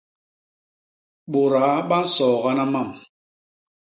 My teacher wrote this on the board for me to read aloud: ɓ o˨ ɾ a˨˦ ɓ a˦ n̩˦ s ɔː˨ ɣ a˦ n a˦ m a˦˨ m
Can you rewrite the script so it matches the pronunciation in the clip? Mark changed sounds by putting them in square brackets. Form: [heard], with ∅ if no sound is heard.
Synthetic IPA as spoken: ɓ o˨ ɾ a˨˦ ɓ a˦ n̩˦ s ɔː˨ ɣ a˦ n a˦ m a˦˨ m